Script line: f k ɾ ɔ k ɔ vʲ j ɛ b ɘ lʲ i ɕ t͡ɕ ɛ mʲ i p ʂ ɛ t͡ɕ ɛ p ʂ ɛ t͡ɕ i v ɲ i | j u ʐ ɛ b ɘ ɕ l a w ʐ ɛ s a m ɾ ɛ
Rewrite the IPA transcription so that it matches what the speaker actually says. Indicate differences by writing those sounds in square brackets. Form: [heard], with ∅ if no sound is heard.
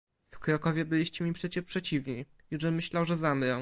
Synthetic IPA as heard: f k ɾ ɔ k ɔ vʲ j ɛ b ɘ lʲ i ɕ t͡ɕ ɛ mʲ i p ʂ ɛ t͡ɕ ɛ p ʂ ɛ t͡ɕ i v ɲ i | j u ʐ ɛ [m] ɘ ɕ l a w ʐ ɛ [z] a m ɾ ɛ